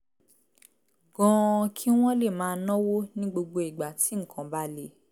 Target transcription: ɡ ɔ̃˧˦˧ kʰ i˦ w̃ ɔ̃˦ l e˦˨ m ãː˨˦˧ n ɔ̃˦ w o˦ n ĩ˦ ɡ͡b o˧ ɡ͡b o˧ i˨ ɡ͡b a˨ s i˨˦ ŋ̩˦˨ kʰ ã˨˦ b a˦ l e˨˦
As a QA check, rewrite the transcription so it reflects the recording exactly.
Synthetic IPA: ɡ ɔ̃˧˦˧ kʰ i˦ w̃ ɔ̃˦ l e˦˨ m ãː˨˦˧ n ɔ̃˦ w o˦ n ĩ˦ ɡ͡b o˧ ɡ͡b o˧ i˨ ɡ͡b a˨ t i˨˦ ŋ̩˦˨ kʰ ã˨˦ b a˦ l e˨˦